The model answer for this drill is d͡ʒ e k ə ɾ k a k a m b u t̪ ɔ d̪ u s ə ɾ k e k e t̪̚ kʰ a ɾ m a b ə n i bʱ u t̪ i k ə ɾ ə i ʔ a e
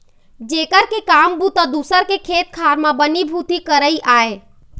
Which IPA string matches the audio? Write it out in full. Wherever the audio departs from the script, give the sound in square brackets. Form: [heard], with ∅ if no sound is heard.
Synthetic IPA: d͡ʒ e k ə ɾ k [e] k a m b u t̪ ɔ d̪ u s ə ɾ k e [kʰ] e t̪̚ kʰ a ɾ m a b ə n i bʱ u t̪ i k ə ɾ ə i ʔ a e

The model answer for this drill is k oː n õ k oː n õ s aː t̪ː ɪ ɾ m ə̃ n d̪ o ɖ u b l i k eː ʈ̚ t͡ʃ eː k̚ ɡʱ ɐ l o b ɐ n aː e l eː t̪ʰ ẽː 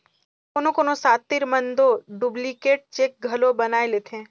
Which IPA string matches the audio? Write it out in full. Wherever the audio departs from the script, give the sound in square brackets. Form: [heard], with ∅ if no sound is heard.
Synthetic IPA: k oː n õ k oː n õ s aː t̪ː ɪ ɾ m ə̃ n d̪ o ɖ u b l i k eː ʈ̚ t͡ʃ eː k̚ ɡʱ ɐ l o b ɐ n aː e l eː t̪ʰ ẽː

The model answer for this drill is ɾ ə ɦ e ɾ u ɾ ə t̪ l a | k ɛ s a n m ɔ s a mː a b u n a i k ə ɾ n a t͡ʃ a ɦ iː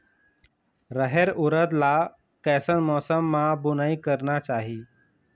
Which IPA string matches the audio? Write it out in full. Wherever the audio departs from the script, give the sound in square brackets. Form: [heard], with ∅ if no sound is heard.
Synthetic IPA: ɾ ə ɦ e ɾ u ɾ ə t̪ l a | k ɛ s [ə] n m ɔ s [ə] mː a b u n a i k ə ɾ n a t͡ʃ a ɦ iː

